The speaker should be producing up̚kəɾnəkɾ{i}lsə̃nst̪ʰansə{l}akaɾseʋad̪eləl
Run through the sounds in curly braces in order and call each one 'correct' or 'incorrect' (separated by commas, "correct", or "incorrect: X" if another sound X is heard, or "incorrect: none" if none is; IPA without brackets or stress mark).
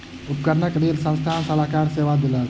incorrect: e, correct